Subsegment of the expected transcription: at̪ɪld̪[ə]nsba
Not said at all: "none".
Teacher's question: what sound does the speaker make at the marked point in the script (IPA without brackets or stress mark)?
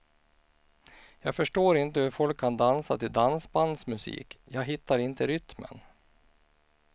a